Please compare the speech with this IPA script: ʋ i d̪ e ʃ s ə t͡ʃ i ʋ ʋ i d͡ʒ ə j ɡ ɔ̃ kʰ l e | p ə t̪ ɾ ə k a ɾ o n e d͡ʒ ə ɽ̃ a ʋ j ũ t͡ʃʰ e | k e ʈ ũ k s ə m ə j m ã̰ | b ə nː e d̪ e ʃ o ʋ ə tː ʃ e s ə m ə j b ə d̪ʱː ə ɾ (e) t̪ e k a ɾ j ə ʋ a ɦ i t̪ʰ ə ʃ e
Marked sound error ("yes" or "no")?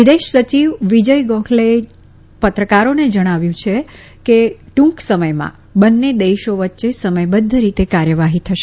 yes